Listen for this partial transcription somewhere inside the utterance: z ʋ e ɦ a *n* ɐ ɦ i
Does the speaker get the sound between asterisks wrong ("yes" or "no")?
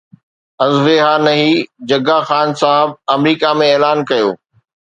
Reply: no